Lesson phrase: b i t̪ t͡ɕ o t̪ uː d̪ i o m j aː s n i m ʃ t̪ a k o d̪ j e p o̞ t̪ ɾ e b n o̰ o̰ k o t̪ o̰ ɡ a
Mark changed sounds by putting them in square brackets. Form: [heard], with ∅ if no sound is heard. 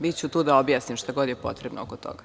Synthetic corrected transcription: b i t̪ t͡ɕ [u] t̪ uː d̪ [a] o [b] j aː s n i m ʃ t̪ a [ɡ] o d̪ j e p o̞ t̪ ɾ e b n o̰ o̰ k o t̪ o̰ ɡ a